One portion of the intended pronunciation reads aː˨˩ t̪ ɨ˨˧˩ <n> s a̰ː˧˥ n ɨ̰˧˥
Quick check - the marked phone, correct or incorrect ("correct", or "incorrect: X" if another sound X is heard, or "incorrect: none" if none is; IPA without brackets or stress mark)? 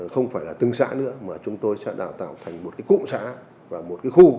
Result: incorrect: ŋ